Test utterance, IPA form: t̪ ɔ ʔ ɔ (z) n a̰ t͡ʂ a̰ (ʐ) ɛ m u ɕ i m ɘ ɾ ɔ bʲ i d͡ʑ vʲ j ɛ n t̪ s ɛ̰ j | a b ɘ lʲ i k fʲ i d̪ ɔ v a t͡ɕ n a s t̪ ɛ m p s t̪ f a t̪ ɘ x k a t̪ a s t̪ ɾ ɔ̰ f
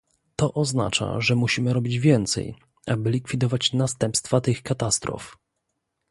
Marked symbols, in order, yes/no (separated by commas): yes, yes